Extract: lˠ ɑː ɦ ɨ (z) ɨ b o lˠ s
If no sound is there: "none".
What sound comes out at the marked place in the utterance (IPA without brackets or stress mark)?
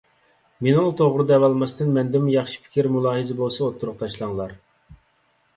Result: z